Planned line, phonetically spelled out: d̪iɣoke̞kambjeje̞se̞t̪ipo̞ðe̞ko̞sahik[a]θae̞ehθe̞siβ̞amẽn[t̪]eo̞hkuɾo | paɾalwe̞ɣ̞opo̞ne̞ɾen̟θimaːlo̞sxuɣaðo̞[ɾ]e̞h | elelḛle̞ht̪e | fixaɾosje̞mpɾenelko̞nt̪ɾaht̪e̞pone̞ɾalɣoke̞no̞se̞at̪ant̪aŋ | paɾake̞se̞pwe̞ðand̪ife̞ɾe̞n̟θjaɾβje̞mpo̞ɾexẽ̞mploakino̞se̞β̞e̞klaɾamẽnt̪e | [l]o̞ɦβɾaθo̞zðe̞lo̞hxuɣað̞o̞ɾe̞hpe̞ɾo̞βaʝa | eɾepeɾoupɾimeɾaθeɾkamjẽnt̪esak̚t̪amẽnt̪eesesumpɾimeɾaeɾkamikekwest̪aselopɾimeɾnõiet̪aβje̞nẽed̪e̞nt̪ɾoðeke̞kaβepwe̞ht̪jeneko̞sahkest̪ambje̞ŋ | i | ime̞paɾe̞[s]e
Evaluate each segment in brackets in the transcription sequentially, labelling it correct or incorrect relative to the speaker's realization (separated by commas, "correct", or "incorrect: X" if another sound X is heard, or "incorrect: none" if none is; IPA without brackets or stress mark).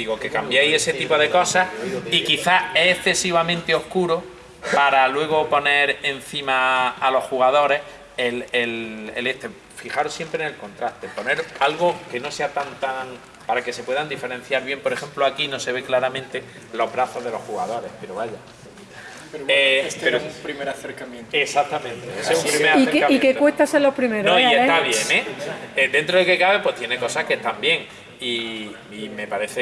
incorrect: i, correct, correct, correct, incorrect: θ